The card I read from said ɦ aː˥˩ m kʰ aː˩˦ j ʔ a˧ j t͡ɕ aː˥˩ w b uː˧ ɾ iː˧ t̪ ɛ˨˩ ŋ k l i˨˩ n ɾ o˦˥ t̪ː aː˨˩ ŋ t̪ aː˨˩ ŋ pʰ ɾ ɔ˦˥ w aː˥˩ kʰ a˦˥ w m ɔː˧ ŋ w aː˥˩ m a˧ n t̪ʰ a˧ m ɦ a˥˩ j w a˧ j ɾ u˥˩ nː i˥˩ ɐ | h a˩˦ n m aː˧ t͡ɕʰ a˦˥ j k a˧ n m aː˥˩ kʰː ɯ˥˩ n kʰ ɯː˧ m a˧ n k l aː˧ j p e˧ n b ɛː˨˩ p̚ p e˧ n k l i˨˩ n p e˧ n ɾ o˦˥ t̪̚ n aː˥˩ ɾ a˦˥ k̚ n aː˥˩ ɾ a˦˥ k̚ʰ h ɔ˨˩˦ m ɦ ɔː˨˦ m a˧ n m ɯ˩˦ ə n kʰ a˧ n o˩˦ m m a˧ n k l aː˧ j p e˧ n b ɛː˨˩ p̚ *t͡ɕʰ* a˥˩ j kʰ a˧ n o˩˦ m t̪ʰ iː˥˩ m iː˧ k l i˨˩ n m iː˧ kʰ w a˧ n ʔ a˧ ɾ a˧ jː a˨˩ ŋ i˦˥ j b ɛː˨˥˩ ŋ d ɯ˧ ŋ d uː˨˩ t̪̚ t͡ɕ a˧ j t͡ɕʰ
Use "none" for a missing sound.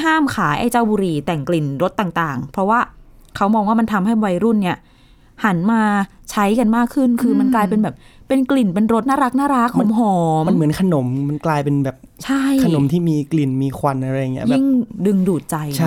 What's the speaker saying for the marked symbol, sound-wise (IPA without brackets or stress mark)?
t͡ɕʰ